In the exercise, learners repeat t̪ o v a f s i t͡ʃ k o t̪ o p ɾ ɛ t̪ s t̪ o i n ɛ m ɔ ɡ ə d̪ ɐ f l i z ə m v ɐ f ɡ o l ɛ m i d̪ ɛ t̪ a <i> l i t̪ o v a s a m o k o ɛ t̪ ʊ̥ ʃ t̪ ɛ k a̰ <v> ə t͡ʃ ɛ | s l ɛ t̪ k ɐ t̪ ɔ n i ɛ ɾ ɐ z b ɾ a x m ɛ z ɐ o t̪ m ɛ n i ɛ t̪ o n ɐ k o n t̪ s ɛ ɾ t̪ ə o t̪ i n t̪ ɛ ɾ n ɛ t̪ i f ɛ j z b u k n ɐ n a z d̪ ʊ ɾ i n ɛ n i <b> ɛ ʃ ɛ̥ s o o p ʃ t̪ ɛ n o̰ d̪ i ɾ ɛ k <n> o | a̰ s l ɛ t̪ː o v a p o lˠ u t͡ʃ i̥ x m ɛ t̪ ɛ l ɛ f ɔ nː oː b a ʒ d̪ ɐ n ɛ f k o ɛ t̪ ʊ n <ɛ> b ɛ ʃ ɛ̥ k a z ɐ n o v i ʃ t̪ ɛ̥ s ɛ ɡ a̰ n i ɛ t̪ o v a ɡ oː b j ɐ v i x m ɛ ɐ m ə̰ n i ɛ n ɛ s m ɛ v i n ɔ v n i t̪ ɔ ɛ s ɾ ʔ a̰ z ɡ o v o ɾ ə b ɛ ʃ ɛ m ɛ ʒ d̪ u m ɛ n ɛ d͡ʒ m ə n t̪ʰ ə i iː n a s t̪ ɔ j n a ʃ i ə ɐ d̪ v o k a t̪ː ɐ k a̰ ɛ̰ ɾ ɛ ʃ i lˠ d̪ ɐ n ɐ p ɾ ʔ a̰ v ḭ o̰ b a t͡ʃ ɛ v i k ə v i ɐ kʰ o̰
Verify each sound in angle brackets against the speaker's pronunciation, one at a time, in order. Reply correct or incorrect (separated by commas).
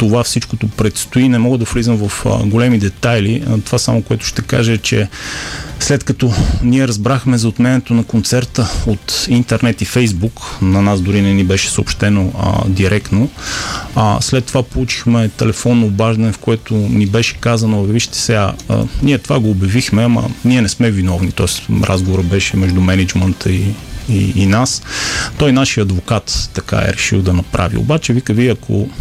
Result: incorrect, incorrect, correct, correct, incorrect